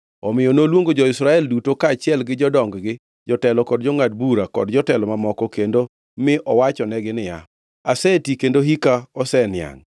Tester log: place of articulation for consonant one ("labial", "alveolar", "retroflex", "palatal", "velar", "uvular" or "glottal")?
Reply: labial